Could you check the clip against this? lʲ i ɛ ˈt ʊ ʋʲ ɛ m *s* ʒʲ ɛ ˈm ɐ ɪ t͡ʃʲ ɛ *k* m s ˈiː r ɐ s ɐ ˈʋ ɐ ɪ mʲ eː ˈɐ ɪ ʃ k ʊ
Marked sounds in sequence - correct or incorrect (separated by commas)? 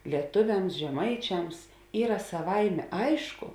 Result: correct, incorrect